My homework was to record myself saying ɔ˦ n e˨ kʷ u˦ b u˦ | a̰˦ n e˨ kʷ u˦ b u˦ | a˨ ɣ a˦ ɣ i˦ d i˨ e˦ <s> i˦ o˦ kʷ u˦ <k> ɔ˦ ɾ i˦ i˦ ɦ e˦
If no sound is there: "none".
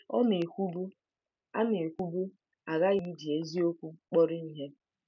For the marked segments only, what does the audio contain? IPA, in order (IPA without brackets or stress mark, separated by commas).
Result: z, k͡p